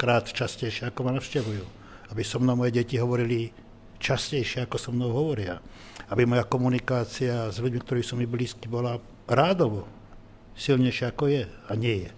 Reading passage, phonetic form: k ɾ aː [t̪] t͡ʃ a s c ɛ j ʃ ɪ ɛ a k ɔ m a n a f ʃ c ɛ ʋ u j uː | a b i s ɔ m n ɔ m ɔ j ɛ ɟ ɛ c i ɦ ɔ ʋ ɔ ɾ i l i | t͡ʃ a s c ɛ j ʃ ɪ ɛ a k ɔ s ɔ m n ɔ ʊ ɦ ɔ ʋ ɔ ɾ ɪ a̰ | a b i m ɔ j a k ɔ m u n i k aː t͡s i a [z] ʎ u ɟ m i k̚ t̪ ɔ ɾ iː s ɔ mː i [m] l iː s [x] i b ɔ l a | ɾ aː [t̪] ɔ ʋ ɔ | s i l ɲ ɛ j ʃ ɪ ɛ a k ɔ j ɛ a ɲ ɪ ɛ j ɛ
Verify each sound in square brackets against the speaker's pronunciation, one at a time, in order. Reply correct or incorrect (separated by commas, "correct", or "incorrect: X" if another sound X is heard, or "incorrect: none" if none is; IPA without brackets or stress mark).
correct, correct, incorrect: b, incorrect: k, incorrect: d̪